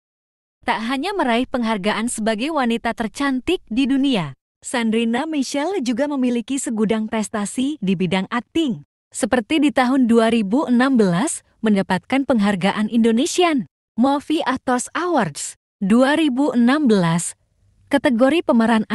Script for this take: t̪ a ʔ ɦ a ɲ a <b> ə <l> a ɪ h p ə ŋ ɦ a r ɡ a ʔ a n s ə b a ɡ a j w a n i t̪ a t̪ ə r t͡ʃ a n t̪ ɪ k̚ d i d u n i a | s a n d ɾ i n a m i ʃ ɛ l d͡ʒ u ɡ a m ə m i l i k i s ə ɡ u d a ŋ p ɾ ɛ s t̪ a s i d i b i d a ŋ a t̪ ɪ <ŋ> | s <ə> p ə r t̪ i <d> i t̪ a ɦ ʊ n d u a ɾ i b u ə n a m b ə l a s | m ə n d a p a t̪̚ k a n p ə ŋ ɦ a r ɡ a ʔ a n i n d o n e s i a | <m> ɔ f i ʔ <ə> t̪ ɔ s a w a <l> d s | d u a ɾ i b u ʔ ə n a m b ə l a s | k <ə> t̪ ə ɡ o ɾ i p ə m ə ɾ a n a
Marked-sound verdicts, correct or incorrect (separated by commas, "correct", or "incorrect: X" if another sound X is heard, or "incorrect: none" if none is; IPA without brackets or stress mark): incorrect: m, incorrect: ɾ, correct, correct, correct, correct, incorrect: a, incorrect: r, incorrect: a